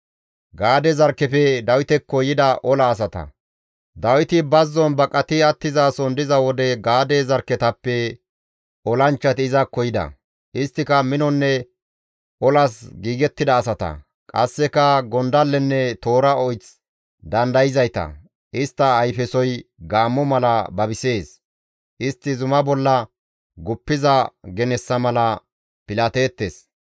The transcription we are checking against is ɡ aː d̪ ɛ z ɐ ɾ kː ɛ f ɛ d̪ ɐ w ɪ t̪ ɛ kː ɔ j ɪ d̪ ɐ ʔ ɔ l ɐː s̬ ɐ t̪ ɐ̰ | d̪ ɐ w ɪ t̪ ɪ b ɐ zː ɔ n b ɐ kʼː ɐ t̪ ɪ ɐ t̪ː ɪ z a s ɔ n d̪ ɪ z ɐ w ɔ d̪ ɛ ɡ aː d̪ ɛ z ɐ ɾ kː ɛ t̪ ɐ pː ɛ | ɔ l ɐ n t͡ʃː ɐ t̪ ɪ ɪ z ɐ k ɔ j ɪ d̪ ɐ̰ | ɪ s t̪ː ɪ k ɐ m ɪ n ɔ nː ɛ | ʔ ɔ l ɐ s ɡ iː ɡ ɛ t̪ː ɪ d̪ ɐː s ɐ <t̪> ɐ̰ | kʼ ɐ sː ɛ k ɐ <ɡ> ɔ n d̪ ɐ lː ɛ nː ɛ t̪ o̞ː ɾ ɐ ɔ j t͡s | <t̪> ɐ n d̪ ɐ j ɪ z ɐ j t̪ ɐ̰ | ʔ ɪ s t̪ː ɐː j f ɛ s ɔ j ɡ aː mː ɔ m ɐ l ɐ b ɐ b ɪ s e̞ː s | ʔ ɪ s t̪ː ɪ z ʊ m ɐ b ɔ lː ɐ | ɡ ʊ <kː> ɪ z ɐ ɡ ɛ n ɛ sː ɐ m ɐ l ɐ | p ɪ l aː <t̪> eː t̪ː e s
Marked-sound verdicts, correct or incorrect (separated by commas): correct, correct, incorrect, incorrect, correct